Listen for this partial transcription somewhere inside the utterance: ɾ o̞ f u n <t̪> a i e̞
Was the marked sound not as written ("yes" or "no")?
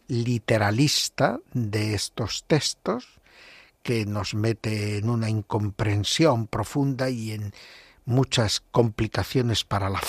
yes